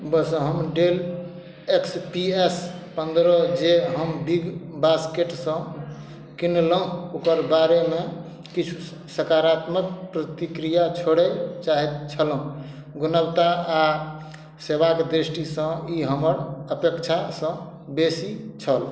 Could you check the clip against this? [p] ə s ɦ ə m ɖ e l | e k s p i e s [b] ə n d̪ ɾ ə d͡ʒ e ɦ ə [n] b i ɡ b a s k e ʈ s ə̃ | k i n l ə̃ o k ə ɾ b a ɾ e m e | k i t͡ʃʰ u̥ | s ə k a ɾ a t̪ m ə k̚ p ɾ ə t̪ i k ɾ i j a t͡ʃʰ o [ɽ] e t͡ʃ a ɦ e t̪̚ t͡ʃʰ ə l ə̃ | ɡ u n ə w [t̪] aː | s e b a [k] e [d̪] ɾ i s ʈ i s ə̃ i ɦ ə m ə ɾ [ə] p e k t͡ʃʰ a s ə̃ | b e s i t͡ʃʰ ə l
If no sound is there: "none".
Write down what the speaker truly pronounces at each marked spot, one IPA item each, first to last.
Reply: b, p, m, ɽ, t̪, k, d̪, ə

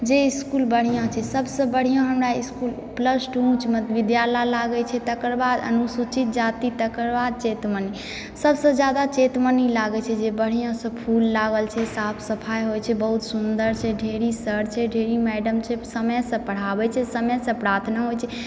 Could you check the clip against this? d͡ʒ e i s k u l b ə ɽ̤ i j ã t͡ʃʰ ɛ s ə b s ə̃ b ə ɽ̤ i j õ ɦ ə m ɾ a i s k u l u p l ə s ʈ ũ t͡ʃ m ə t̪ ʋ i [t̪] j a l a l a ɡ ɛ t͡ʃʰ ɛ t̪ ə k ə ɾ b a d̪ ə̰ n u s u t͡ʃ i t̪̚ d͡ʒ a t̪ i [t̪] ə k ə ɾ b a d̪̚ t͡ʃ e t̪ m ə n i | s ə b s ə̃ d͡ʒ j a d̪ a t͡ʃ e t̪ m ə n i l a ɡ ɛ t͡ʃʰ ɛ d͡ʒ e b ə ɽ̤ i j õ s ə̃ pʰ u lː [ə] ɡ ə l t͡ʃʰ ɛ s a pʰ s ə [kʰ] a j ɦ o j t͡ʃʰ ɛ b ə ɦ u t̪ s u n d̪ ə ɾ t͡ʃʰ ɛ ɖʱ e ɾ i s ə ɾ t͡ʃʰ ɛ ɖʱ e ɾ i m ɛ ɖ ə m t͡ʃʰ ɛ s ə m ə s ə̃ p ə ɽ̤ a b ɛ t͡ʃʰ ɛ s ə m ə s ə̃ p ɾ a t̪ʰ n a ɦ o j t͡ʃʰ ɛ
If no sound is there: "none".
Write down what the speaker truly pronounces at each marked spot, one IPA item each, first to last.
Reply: d̪, t̪, a, pʰ

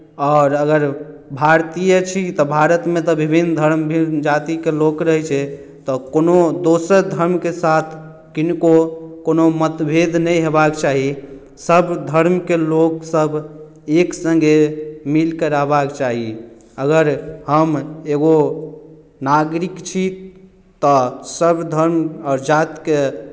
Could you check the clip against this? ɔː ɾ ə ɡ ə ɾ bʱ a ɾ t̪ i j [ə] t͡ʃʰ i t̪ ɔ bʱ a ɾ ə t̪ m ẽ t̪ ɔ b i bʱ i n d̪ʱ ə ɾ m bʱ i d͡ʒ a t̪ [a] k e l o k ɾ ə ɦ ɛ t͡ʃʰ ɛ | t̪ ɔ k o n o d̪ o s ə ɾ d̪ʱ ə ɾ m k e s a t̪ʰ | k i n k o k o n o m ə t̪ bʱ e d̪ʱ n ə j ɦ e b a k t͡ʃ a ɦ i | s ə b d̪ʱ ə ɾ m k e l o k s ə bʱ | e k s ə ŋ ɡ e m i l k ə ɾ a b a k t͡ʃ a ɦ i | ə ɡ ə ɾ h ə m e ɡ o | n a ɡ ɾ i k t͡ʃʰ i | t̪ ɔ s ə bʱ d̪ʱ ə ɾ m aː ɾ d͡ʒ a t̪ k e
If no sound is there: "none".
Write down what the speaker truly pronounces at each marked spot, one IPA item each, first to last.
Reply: ə, i

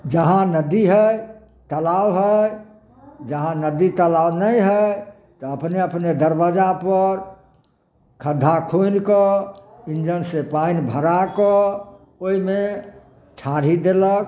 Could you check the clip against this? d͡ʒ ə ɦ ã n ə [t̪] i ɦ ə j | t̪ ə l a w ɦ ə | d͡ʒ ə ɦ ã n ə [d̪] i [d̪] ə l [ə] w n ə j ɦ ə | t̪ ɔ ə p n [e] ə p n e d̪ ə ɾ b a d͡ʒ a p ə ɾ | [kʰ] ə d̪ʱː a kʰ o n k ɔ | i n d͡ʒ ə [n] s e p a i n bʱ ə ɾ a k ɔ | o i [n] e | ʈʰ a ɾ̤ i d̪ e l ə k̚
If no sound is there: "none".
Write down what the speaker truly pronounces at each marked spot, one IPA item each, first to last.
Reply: d̪, d̪, t̪, a, e, kʰ, n, m

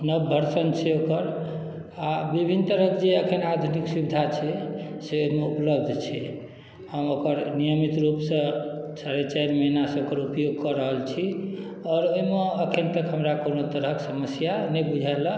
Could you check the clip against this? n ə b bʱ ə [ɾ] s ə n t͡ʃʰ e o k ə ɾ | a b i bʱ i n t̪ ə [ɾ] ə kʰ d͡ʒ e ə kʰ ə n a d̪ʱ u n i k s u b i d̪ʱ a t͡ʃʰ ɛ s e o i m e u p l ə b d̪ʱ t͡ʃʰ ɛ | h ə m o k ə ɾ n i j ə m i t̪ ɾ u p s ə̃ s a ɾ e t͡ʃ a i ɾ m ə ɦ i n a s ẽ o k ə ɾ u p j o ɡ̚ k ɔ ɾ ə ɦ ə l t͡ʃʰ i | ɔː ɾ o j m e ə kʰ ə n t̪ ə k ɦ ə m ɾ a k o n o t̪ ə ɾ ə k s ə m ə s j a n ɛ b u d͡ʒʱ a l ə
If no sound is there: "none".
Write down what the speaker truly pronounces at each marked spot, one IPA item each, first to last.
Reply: ɾ, ɾ

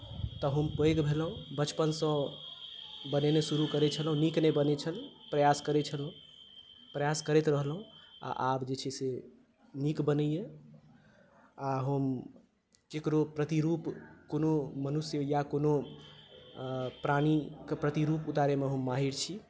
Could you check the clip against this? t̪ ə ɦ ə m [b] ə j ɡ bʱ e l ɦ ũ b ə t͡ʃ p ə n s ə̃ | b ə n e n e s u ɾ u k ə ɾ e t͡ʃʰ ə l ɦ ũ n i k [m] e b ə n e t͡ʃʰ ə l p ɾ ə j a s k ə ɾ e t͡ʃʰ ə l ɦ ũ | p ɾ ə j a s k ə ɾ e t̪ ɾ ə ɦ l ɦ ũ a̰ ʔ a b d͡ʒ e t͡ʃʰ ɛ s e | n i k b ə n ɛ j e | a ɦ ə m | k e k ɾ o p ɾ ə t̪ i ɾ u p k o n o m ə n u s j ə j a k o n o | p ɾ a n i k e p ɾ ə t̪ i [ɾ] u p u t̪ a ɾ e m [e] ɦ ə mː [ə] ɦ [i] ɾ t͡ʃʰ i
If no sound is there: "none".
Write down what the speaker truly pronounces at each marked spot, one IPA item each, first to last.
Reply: p, n, ɾ, e, a, i

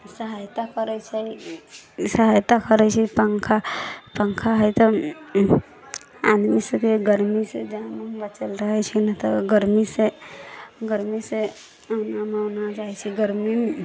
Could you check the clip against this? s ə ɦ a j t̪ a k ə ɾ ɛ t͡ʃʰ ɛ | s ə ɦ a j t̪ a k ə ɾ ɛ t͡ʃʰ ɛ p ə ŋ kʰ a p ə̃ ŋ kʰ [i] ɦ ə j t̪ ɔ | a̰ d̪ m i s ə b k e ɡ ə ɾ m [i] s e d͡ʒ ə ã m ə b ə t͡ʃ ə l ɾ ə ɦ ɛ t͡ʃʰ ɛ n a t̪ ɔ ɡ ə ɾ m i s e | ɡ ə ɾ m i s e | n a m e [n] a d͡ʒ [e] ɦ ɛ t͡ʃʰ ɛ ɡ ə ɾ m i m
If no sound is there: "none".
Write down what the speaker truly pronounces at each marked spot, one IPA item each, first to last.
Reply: a, i, n, a

